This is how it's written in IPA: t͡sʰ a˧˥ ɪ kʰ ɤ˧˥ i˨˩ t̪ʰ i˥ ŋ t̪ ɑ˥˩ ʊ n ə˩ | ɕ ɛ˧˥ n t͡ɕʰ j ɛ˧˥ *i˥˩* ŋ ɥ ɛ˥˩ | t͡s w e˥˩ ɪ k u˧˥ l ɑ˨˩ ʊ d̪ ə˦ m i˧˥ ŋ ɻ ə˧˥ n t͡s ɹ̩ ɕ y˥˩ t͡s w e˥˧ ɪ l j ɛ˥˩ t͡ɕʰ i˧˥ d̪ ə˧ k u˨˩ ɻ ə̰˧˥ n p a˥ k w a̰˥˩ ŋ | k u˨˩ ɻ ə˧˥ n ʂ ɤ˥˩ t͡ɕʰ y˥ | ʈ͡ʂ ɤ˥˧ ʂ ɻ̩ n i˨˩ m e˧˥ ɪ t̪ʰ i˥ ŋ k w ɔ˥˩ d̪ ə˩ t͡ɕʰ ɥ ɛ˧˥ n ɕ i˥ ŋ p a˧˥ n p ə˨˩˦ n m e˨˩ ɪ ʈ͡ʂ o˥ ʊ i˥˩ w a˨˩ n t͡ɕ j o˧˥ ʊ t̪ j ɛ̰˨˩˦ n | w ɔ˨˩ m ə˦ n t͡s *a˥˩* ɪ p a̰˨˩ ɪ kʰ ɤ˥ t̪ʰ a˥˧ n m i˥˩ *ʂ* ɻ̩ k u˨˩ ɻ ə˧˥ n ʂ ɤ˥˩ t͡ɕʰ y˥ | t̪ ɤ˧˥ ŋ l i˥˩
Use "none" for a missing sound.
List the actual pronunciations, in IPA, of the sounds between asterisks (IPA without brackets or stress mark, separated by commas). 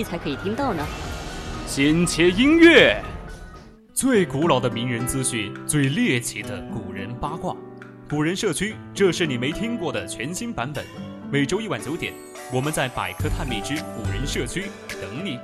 i˥, a˥˩, ʈ͡ʂ